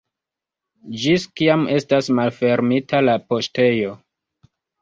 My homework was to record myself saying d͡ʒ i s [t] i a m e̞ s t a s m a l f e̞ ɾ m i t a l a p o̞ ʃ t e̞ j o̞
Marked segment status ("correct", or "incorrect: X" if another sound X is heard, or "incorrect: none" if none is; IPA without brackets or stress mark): incorrect: k